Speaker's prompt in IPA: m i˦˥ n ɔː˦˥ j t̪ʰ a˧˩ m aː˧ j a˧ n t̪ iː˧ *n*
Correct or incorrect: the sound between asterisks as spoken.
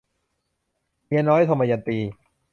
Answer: incorrect: none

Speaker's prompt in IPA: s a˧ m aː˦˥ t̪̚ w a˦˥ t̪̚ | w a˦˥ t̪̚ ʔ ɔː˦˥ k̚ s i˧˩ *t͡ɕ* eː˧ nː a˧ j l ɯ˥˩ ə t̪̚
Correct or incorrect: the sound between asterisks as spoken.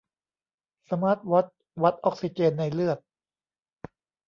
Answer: correct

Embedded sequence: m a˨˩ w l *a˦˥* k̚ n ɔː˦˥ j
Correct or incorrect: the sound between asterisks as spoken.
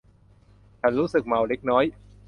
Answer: incorrect: e˦˥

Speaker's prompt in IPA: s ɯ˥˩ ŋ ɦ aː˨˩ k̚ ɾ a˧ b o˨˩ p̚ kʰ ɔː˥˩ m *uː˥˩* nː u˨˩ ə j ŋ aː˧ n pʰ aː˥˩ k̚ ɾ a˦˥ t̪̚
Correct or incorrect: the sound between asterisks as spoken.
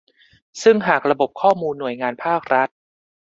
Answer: incorrect: uː˧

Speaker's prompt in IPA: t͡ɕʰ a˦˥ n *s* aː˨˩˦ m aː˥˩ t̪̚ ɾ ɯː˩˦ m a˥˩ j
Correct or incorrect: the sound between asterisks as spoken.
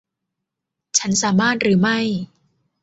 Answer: correct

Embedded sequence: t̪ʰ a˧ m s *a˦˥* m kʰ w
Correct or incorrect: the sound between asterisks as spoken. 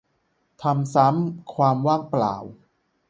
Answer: correct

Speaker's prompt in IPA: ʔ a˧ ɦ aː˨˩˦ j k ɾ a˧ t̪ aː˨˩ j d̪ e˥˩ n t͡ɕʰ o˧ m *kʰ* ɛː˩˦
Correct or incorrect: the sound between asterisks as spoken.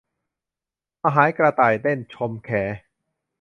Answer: correct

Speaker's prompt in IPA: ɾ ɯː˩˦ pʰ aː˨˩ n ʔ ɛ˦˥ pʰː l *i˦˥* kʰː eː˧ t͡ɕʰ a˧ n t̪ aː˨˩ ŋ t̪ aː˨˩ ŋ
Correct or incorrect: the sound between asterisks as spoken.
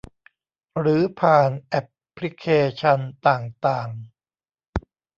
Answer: correct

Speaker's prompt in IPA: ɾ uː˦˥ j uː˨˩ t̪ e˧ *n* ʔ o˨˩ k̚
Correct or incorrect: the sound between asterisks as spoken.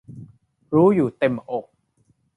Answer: incorrect: m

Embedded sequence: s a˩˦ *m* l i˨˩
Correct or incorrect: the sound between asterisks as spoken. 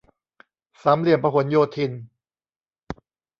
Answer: correct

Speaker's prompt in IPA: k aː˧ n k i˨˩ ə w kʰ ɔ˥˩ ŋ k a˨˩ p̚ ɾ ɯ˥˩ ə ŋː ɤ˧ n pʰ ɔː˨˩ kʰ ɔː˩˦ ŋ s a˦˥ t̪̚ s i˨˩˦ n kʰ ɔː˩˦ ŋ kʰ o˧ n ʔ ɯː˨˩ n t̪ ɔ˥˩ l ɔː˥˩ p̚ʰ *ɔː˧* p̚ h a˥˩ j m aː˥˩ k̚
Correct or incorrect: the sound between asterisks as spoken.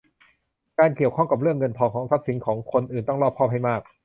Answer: incorrect: ɔː˥˩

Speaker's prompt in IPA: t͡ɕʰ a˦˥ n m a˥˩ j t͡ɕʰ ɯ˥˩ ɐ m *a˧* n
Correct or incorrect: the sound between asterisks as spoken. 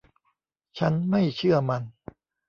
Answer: correct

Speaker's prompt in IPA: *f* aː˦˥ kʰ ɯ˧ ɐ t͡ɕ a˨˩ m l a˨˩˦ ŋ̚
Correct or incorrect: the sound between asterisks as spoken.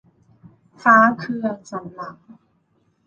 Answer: correct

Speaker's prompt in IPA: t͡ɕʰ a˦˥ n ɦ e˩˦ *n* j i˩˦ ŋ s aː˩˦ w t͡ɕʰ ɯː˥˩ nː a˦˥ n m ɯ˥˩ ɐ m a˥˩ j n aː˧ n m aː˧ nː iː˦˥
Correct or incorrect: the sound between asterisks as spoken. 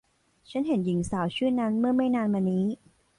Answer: correct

